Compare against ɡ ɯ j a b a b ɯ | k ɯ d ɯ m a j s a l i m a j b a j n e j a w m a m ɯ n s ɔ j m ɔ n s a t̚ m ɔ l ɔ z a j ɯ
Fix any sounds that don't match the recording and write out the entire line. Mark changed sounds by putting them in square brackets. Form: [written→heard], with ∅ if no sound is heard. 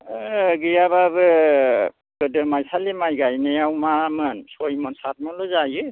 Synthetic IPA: ɡ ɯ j a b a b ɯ | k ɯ d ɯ m a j s a l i m a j [b→ɡ] a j n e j a w m a m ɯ n s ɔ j m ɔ n s a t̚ m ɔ l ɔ z a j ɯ